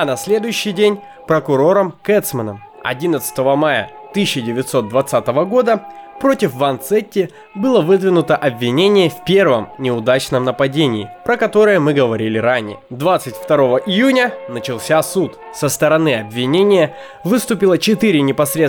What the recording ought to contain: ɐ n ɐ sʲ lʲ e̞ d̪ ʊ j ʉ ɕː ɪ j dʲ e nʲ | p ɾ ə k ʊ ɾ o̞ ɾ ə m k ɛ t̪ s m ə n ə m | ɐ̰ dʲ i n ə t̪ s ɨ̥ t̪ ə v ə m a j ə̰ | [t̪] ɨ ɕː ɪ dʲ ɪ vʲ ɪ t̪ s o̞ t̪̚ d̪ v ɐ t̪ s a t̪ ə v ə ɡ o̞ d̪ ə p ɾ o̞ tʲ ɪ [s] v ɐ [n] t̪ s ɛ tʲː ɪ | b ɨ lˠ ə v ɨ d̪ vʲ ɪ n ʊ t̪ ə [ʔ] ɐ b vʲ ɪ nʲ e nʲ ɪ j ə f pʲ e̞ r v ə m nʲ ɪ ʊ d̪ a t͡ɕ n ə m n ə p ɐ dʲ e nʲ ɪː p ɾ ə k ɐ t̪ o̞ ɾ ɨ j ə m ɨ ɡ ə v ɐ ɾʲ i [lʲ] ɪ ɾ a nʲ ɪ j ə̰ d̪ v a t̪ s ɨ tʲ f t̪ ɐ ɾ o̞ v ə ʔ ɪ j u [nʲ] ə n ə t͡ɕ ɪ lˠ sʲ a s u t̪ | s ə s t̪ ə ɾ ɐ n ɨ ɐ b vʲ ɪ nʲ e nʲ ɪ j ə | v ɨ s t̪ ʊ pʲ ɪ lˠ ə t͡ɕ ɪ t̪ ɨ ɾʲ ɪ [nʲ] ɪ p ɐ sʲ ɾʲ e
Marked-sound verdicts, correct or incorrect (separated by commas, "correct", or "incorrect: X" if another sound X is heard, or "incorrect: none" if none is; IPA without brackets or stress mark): correct, incorrect: f, correct, correct, correct, correct, correct